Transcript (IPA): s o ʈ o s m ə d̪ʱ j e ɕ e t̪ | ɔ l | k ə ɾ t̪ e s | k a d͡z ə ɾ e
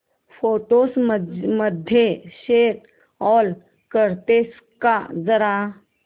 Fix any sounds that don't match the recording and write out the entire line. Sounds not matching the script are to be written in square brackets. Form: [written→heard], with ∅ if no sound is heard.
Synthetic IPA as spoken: [s→f] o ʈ o s m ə d̪ʱ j e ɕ e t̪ | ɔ l | k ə ɾ t̪ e s | k a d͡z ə ɾ [e→a]